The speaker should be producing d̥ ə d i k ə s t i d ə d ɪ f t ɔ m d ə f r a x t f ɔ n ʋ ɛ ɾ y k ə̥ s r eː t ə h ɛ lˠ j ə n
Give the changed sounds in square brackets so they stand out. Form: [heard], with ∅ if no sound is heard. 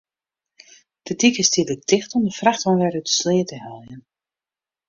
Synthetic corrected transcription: d̥ ə d i k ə s t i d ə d ɪ [x] t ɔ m d ə f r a x t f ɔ n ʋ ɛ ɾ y [t] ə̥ s [l] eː t ə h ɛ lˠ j ə n

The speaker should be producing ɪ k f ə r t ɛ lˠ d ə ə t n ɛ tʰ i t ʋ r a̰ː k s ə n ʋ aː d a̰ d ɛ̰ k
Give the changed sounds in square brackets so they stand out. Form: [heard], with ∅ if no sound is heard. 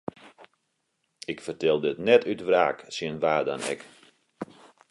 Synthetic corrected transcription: ɪ k f ə r t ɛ lˠ d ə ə t n ɛ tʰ [y] t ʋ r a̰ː k s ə n ʋ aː d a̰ [n] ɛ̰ k

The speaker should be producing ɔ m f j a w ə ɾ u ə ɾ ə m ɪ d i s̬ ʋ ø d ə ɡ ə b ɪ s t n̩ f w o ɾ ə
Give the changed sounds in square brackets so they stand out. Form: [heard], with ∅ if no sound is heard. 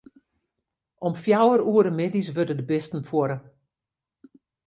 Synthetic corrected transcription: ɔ m f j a w ə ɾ u ə ɾ ə m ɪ d i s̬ ʋ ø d ə [d] ə b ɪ s t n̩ f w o ɾ ə

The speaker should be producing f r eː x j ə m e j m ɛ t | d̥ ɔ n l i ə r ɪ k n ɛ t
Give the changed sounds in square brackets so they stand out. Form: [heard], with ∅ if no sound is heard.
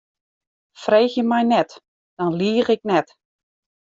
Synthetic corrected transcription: f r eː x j ə m [ɛ] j [n] ɛ t | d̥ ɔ n l i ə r ɪ k n ɛ t

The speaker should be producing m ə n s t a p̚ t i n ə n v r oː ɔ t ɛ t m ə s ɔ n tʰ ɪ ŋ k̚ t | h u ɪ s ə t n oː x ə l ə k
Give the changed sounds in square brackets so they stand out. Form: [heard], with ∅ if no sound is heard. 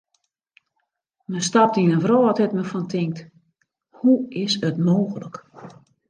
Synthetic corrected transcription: m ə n s t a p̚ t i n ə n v r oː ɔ t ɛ t m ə [f] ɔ n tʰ ɪ ŋ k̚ t | h u ɪ s ə t [m] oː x ə l ə k

